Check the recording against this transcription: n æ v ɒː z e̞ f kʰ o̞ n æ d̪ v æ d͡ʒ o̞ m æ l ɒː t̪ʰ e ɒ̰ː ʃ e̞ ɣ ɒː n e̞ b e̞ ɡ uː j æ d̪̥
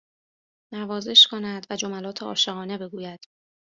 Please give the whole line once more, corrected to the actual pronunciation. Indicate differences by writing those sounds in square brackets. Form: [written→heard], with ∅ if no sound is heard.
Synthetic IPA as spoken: n æ v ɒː z e̞ [f→ʃ] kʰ o̞ n æ d̪ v æ d͡ʒ o̞ m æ l ɒː t̪ʰ e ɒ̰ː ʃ e̞ ɣ ɒː n e̞ b e̞ ɡ uː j æ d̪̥